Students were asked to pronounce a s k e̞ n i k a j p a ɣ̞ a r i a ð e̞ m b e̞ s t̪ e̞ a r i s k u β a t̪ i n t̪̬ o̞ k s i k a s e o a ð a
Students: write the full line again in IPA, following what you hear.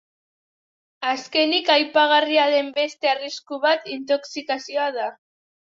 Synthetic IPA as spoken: a s k e̞ n i k a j p a ɣ̞ a r i a ð e̞ m b e̞ s t̪ e̞ a r i s k u β a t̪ i n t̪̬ o̞ k s i k a s i o a ð a

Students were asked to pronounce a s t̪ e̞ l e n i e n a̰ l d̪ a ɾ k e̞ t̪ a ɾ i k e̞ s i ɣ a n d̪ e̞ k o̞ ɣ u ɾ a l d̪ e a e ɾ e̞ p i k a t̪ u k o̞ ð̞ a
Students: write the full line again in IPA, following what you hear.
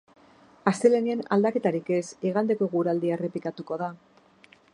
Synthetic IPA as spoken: a s t̪ e̞ l e n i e n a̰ l d̪ a k e̞ t̪ a ɾ i k e̞ s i ɣ a n d̪ e̞ k o̞ ɣ u ɾ a l d̪ i a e r e̞ p i k a t̪ u k o̞ ð̞ a

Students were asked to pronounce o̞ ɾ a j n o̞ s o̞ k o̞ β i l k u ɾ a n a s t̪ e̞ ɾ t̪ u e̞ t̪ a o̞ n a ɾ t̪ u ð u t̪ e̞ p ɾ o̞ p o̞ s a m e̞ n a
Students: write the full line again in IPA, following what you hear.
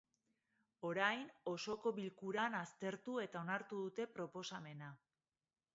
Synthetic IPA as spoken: o̞ ɾ a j n o̞ s o̞ k o̞ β i l k u ɾ a n a s t̪ e̞ ɾ t̪ u e̞ t̪ a o̞ n a ɾ t̪ u ð u t̪ e̞ p ɾ o̞ p o̞ s a m e̞ n a

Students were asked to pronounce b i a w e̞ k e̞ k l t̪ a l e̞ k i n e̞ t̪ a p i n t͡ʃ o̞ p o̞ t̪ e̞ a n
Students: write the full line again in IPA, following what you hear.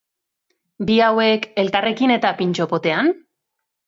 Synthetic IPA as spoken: b i a w e̞ k e̞ l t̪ a r e̞ k i n e̞ t̪ a p i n t͡ʃ o̞ p o̞ t̪ e̞ a n

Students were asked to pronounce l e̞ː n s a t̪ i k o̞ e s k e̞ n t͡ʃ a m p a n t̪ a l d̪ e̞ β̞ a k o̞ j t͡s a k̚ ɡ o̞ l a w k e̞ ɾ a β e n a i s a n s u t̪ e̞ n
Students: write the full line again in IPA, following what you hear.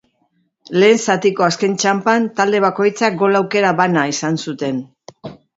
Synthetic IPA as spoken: l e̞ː n s a t̪ i k o̞ a s k e̞ n t͡ʃ a m p a n t̪ a l d̪ e̞ β̞ a k o̞ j t͡s a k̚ ɡ o̞ l a w k e̞ ɾ a β a n a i s a n s u t̪ e̞ n

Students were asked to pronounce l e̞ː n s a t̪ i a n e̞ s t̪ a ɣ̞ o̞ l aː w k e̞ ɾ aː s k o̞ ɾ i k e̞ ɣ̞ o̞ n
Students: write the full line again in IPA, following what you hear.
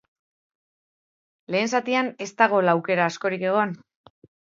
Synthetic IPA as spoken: l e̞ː n s a t̪ i a n e̞ s t̪ a ɣ̞ o̞ l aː w k e̞ ɾ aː s k o̞ ɾ i k e̞ ɣ̞ o̞ n

